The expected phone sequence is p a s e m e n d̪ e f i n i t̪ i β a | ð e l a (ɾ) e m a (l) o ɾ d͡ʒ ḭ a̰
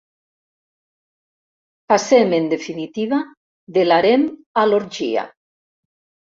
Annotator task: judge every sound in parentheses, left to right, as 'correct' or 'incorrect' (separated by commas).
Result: correct, correct